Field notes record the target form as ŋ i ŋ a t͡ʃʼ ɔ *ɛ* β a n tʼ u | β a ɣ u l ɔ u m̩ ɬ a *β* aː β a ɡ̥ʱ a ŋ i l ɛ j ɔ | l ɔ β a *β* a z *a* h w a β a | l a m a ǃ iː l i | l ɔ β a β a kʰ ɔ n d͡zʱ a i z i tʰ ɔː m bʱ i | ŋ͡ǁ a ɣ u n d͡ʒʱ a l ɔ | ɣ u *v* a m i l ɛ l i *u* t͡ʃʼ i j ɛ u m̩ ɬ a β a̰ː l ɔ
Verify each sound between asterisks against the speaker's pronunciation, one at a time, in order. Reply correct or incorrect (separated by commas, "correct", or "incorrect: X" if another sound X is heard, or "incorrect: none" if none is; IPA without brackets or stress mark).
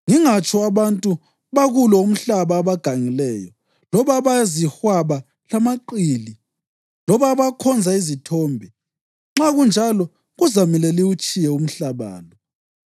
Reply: incorrect: a, correct, correct, incorrect: i, incorrect: z, correct